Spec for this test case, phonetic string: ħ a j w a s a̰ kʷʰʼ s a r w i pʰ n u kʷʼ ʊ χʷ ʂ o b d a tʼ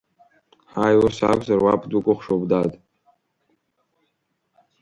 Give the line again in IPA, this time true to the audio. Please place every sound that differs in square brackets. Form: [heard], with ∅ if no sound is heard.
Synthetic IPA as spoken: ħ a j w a s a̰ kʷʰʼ [z] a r w [a] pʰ [d] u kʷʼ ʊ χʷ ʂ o b d a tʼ